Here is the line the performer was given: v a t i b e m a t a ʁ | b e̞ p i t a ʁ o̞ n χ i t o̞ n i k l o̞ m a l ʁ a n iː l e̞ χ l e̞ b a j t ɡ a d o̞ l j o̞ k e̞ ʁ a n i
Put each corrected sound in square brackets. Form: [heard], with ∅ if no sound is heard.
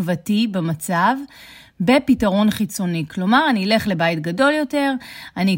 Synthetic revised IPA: v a t i b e m a [t͡s] a [v] | b e̞ p i t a ʁ o̞ n χ i [t͡s] o̞ n i k l o̞ m a [∅] ʁ a n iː l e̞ χ l e̞ b a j t ɡ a d o̞ l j o̞ [t] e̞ ʁ a n i